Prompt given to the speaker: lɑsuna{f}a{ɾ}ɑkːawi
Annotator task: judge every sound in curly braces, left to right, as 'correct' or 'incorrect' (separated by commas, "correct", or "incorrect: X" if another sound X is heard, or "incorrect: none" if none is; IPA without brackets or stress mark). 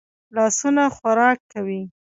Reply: incorrect: x, correct